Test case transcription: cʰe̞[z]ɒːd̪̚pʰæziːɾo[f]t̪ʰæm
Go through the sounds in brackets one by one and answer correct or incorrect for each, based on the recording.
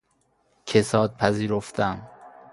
incorrect, correct

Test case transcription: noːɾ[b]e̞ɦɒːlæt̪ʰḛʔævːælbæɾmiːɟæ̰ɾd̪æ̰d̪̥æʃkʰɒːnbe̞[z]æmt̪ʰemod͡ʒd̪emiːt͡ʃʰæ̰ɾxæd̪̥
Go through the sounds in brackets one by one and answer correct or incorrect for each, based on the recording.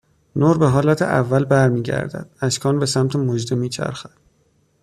correct, incorrect

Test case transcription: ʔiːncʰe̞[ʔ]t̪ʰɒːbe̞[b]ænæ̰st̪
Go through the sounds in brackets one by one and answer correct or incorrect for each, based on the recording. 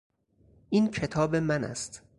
incorrect, incorrect

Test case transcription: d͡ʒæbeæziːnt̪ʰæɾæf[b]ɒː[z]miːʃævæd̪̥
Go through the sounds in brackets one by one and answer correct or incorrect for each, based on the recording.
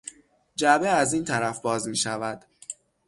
correct, correct

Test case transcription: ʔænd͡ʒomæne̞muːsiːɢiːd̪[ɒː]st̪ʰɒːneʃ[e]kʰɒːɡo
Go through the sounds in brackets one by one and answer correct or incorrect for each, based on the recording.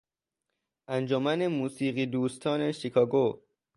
incorrect, incorrect

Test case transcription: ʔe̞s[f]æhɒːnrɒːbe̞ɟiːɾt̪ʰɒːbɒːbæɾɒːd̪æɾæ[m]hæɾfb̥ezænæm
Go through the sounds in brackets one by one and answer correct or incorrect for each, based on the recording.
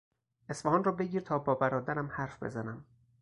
correct, correct

